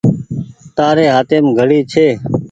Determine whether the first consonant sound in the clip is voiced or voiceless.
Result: voiceless